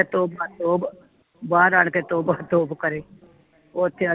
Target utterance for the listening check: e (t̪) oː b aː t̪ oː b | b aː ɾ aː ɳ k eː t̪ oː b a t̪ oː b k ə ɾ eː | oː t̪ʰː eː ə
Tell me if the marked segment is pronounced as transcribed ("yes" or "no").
yes